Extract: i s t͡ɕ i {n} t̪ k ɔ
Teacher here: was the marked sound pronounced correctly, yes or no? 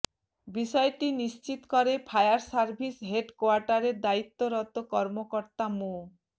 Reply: no